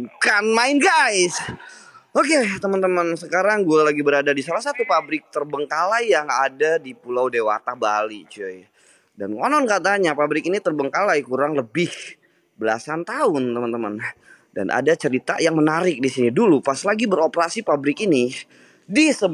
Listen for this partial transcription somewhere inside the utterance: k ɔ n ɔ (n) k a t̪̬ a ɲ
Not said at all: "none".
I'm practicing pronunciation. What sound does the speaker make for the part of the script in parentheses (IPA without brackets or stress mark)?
n